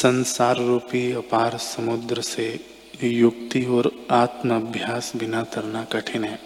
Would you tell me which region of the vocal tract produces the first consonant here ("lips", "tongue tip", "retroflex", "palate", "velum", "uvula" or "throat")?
tongue tip